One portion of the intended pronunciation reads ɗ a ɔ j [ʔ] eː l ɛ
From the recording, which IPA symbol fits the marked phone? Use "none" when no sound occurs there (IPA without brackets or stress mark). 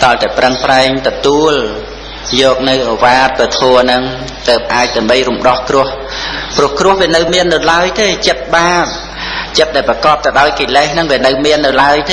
k